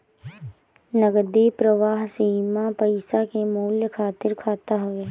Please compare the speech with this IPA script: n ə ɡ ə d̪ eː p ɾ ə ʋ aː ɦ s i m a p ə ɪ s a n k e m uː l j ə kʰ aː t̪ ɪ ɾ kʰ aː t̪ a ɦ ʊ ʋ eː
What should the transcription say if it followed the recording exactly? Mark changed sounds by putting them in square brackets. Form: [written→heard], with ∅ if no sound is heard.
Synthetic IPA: n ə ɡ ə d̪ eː p ɾ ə ʋ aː ɦ s i m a p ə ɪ s a [n→∅] k e m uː l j ə kʰ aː t̪ ɪ ɾ kʰ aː t̪ a ɦ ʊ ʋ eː